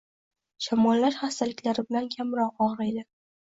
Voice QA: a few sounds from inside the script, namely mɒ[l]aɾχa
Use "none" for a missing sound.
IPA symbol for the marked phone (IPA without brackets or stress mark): lː